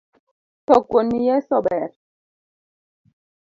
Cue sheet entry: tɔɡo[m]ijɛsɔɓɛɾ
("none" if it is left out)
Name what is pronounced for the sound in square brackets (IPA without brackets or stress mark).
n